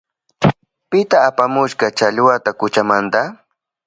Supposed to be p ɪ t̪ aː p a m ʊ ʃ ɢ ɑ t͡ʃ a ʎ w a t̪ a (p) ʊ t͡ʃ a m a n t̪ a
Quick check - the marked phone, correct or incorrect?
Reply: incorrect